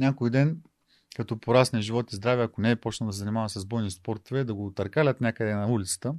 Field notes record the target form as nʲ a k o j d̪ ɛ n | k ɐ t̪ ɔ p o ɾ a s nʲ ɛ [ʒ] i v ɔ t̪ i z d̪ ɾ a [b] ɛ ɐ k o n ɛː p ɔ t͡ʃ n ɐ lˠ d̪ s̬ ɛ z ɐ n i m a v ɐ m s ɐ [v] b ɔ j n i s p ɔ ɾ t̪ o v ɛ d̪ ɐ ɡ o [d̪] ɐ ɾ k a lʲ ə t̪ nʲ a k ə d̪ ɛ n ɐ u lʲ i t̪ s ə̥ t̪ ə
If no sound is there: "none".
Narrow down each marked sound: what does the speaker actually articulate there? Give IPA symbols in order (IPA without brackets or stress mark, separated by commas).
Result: ʒ, v, z, t̪